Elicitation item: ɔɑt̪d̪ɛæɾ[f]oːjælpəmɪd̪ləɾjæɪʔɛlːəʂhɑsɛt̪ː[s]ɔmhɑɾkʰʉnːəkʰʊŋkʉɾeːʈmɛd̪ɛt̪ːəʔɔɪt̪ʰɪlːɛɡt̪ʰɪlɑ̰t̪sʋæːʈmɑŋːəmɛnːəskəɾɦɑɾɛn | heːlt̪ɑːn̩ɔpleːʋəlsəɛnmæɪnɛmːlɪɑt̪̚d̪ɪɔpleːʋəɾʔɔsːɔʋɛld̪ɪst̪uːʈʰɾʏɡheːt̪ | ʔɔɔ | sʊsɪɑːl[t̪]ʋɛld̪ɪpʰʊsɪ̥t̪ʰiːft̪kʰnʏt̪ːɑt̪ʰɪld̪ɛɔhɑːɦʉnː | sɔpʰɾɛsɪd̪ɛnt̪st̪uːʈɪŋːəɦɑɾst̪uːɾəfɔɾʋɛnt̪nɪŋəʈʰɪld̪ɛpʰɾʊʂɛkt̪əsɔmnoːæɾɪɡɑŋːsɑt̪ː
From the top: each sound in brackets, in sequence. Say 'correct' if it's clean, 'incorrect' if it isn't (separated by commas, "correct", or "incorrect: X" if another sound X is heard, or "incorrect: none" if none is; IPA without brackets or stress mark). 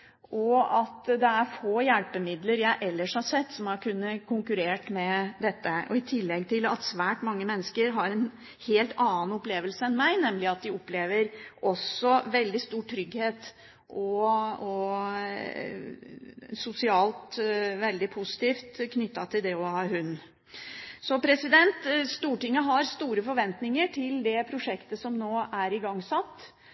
correct, correct, correct